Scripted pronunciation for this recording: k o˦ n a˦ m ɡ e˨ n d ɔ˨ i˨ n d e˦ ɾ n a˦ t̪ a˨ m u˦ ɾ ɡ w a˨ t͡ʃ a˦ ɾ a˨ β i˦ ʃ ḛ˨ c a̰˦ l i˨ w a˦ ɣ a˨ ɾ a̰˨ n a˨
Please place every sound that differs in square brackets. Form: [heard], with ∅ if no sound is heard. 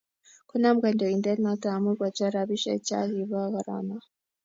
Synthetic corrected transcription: k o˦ n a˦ m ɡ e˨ n d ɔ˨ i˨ n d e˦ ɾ n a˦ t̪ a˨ m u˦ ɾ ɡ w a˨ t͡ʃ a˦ ɾ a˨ β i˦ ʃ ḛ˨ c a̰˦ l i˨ [β] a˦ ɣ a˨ ɾ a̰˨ n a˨